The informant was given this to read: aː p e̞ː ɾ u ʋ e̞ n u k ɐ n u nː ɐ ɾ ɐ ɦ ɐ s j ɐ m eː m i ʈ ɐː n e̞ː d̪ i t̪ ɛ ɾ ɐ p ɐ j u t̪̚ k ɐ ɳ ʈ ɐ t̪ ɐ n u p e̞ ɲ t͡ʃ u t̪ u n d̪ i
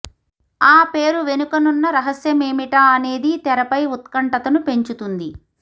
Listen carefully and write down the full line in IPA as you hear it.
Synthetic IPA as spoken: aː p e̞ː ɾ u ʋ e̞ n u k ɐ n u nː ɐ ɾ ɐ ɦ ɐ s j ɐ m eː m i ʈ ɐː n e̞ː d̪ i t̪ ɛ ɾ ɐ p ɐ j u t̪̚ k ɐ ɳ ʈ ɐ t̪ ɐ n u p e̞ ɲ t͡ʃ u t̪ u n d̪ i